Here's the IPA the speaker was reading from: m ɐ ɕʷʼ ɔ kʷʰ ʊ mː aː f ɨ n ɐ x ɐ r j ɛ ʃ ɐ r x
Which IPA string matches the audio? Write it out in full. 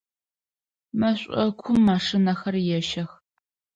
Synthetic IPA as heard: m ɐ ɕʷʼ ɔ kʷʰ ʊ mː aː ʂ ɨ n ɐ x ɐ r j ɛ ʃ ɐ x

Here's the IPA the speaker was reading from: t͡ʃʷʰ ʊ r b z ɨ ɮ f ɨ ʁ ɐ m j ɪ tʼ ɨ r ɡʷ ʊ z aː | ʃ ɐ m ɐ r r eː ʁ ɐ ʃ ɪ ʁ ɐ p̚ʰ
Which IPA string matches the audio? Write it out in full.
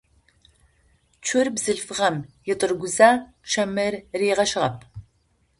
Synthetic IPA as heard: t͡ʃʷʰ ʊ r b z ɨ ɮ f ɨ ʁ ɐ m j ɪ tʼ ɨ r ɡʷ ʊ z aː | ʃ ɐ m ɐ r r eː ʁ ɐ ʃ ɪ ʁ ɐ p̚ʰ

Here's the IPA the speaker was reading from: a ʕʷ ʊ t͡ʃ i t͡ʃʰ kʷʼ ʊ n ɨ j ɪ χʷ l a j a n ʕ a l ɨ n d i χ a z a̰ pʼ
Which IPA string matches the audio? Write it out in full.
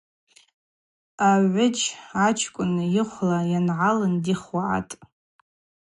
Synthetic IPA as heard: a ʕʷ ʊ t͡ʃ a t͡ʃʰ kʷʼ ʊ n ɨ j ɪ χʷ l a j a n ʕ a l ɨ n d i χ a ʕ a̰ tʼ

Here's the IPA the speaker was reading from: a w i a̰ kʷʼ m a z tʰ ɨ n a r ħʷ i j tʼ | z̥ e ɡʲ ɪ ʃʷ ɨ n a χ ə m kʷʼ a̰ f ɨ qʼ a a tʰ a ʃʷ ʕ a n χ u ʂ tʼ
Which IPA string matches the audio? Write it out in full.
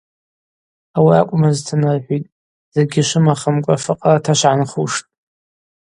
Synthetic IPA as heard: a w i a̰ kʷʼ m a z tʰ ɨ n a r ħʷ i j tʼ | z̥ e ɡʲ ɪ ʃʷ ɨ m a χ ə m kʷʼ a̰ f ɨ qʼ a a tʰ a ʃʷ ʕ a n χ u ʂ tʼ

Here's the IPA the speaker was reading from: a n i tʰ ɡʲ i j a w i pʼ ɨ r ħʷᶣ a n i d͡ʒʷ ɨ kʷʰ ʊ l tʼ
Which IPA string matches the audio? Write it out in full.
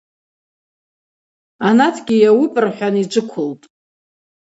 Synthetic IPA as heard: a n a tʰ ɡʲ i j a w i pʼ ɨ r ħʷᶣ a n i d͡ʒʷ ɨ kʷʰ ʊ l tʼ

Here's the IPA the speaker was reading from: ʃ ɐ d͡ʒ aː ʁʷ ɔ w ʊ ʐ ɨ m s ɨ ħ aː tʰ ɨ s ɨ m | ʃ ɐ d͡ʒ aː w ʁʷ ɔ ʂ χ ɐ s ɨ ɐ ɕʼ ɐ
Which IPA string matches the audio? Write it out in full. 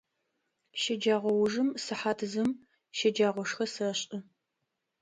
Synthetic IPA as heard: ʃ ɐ d͡ʒ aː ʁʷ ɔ w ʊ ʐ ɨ m s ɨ ħ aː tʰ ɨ z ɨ m | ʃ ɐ d͡ʒ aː ʁʷ ɔ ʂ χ ɐ s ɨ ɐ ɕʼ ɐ

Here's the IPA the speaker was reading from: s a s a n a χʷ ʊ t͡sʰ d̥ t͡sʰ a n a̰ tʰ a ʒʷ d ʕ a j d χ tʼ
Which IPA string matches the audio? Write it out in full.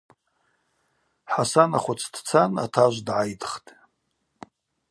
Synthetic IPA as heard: ħ a s a n a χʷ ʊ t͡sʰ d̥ t͡sʰ a n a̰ tʰ a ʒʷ d ʕ a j d χ tʼ

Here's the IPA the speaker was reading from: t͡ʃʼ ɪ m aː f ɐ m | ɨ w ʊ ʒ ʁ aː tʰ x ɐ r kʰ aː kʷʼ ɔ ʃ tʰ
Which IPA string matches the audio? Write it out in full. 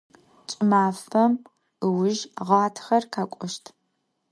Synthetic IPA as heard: t͡ʃʼ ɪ m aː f ɐ m | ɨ w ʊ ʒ ʁ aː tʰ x ɐ r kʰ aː kʷʼ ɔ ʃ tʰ

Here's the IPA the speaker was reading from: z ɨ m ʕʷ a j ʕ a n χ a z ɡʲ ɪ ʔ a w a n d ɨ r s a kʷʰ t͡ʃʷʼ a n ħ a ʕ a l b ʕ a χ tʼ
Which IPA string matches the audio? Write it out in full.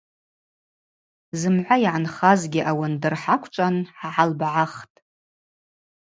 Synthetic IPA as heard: z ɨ m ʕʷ a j ʕ a n χ a z ɡʲ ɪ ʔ a w a n d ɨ r ħ a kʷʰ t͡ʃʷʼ a n ħ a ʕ a l b ʕ a χ tʼ

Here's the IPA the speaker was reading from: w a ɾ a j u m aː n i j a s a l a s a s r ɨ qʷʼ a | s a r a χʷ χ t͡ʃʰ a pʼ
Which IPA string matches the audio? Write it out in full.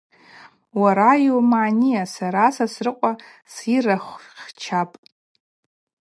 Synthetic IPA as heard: w a ɾ a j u m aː n i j a s a ɾ a s a s r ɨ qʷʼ a | s i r a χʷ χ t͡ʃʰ a pʼ

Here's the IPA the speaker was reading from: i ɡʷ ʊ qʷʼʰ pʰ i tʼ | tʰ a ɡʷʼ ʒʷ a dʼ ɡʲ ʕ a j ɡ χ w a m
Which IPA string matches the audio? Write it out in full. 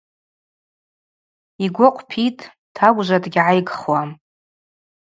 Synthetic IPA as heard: i ɡʷ ʊ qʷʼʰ pʰ i tʼ | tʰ a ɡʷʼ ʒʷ a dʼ ɡʲ ʕ a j ɡ χ w a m

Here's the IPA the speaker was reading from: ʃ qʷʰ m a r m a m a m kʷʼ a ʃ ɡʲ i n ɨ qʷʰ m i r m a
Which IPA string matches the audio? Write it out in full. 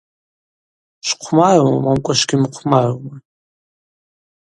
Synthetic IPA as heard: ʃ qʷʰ m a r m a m a m kʷʼ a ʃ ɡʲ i m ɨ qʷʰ m a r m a

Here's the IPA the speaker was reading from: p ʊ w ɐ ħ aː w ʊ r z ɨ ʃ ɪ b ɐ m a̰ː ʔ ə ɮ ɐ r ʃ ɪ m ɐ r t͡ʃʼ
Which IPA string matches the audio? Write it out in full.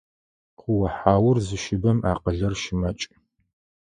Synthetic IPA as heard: q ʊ w ɐ ħ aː w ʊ r z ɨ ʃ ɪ b ɐ m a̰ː q ə ɮ ɐ r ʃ ɪ m ɐ t͡ʃʼ

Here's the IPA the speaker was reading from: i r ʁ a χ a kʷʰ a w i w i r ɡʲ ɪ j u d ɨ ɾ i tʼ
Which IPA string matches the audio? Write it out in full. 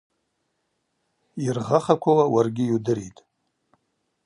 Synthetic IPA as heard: i r ʁ a χ a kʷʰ a w a w a r ɡʲ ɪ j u d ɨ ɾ i tʼ

